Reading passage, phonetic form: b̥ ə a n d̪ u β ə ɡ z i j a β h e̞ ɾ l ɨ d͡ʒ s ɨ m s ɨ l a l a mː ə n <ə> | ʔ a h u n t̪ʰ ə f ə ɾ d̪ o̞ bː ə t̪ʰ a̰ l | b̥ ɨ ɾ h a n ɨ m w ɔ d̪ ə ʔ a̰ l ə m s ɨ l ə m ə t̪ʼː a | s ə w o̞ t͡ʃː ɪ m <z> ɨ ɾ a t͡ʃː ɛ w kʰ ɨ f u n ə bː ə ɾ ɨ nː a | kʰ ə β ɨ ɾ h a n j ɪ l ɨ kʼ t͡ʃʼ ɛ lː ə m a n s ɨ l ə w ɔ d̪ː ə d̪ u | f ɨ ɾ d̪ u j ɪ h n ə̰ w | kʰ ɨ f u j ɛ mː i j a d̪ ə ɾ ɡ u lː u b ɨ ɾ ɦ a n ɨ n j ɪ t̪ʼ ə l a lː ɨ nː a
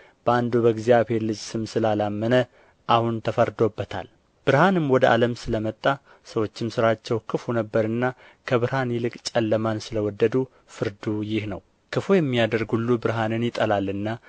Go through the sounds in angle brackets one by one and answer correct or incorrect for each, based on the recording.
correct, incorrect

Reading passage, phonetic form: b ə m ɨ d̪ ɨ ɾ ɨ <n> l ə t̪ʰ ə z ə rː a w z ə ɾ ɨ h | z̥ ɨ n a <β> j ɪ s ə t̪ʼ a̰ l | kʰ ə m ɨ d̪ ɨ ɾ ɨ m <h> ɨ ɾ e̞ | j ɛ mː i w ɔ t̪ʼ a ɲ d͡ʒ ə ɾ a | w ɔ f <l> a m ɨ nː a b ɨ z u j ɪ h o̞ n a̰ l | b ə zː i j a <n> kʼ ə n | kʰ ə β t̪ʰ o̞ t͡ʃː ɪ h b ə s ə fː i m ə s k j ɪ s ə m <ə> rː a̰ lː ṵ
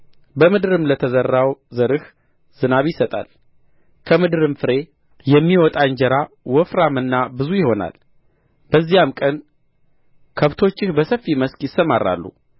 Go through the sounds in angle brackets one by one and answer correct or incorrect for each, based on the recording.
incorrect, correct, incorrect, incorrect, incorrect, incorrect

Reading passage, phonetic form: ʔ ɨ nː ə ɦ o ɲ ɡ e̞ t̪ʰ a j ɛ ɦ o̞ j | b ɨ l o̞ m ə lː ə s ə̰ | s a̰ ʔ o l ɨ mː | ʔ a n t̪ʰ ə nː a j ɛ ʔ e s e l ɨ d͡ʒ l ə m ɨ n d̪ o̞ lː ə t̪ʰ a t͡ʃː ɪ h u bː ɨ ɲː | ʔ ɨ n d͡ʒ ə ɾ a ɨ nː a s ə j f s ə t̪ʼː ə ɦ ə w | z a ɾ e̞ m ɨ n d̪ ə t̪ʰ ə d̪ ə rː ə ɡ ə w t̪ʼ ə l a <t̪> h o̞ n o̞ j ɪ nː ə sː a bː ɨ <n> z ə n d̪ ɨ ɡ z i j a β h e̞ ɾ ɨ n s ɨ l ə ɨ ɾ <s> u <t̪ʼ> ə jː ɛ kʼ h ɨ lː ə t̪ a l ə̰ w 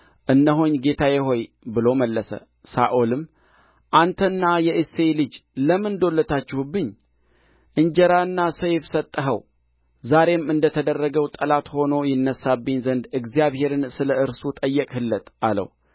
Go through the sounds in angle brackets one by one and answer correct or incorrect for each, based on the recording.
correct, incorrect, correct, correct

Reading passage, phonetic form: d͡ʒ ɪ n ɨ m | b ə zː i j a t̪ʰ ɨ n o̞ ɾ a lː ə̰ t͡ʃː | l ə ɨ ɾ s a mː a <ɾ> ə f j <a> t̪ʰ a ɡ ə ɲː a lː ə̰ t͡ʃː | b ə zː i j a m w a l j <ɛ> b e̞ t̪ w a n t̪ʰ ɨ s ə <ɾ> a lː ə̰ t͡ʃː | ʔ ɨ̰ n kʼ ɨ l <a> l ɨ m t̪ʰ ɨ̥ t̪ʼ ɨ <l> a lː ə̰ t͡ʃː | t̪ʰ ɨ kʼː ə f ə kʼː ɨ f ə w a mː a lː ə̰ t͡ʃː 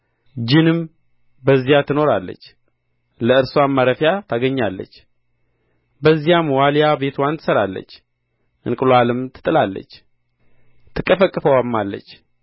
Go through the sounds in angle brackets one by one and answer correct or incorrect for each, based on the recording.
correct, correct, incorrect, correct, correct, correct

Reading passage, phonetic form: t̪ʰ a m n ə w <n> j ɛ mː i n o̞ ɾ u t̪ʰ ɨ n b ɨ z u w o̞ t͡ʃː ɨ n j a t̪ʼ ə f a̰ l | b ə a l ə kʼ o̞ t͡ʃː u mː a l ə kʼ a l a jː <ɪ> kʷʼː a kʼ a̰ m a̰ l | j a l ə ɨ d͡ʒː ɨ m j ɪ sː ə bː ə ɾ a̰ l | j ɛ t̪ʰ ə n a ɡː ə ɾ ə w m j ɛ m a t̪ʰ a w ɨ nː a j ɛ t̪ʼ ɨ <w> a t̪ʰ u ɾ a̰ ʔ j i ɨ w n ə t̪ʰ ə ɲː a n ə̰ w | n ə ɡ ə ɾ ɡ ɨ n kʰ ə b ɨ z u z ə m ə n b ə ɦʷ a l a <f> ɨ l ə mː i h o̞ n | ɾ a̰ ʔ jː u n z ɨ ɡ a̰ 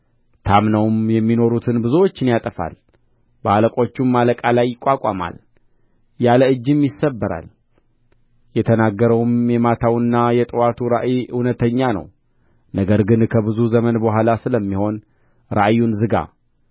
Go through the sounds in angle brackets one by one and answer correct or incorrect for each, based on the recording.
incorrect, correct, correct, incorrect

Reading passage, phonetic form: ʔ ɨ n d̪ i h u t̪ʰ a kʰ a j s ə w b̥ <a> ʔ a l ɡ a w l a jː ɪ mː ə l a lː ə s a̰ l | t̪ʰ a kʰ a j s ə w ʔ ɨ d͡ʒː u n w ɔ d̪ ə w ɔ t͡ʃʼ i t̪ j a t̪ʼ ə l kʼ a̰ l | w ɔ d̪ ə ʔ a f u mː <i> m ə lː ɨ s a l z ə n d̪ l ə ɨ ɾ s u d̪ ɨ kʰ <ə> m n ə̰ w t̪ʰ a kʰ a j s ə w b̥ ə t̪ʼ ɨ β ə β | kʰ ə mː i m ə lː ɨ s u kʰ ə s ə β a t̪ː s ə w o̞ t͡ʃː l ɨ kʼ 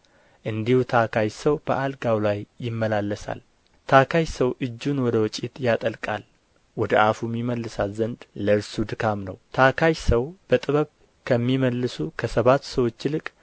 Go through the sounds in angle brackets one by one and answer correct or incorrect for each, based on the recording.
incorrect, correct, incorrect

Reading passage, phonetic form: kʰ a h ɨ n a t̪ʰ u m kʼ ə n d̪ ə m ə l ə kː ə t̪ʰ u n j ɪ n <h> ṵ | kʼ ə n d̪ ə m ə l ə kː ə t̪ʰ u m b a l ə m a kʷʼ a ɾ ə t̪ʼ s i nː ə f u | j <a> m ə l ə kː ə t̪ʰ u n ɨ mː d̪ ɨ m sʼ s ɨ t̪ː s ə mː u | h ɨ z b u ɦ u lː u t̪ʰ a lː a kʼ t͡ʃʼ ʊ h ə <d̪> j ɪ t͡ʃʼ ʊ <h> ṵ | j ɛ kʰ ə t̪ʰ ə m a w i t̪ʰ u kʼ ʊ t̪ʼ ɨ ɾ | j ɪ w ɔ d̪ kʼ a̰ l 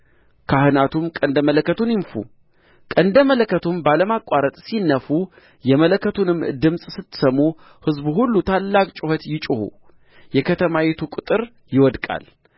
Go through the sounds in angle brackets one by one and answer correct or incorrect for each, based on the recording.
incorrect, incorrect, incorrect, correct

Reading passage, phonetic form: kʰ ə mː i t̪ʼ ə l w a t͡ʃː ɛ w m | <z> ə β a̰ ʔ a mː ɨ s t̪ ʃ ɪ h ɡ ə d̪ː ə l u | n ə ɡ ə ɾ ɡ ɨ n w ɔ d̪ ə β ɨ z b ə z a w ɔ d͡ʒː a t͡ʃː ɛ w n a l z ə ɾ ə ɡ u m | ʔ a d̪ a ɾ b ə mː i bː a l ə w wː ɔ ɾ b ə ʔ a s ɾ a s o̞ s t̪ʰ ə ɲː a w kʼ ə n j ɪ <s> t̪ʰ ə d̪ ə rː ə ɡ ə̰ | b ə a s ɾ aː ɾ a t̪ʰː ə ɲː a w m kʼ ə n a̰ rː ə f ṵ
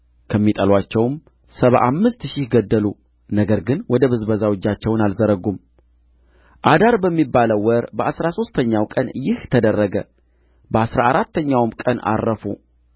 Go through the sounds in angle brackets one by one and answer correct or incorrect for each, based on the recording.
incorrect, incorrect

